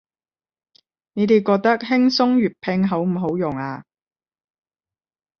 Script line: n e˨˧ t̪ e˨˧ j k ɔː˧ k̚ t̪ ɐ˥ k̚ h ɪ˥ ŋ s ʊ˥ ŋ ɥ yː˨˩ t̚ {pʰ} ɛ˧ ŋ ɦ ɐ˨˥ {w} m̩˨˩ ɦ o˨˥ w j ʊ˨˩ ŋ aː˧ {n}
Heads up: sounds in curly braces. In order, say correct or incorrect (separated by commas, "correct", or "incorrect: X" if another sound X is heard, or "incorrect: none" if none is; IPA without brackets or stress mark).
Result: correct, correct, incorrect: none